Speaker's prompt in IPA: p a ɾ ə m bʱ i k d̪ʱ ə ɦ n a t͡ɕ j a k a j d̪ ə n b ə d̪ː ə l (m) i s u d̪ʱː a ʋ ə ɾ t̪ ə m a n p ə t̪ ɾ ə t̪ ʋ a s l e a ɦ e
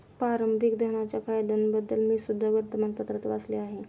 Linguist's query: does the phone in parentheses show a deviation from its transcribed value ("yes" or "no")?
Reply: no